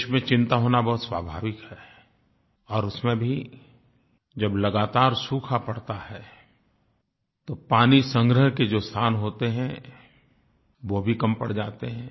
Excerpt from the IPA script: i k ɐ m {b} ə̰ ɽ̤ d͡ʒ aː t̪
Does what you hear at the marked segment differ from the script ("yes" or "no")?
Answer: yes